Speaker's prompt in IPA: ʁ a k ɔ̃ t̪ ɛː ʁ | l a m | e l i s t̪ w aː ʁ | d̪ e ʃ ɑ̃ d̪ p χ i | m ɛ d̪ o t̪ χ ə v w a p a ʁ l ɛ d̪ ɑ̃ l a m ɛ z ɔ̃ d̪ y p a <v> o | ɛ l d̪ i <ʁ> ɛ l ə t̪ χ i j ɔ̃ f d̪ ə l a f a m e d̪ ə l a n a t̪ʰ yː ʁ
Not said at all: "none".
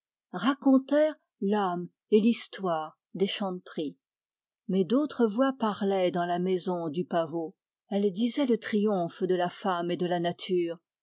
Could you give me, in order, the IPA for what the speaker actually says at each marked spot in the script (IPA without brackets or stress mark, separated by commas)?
v, z